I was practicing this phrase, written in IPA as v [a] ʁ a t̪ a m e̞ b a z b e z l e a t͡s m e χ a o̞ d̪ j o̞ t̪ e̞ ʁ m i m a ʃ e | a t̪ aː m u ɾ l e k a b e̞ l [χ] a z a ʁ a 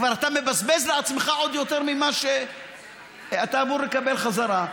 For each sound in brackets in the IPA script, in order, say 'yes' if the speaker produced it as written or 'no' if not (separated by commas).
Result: yes, yes